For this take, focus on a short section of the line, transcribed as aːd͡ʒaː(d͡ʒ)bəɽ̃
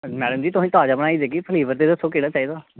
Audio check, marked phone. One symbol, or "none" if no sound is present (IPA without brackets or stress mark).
none